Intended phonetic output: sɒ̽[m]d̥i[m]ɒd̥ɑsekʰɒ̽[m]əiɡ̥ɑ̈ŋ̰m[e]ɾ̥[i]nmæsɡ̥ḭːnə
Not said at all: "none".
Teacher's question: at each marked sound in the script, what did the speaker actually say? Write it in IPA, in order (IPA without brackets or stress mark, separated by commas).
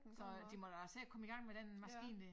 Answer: none, m, m, e, e